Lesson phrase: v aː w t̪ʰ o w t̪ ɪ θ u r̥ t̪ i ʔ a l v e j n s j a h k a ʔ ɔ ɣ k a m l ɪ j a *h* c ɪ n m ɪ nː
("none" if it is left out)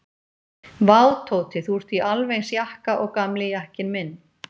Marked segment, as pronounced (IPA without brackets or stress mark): h